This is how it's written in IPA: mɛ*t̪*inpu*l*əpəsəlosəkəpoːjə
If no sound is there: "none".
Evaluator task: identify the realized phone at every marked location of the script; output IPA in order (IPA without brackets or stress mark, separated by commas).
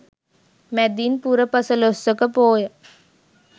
d̪, ɾ